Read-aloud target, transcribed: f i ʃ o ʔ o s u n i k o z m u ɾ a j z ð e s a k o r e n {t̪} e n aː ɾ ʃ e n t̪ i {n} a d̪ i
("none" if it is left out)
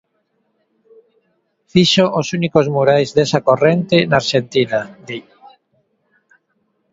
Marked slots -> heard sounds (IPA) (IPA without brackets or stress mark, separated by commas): t̪, n